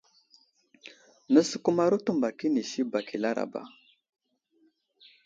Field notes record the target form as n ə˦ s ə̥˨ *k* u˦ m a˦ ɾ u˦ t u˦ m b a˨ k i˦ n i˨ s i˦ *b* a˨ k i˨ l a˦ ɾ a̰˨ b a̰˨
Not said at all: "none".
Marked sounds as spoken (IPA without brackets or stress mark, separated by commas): k, b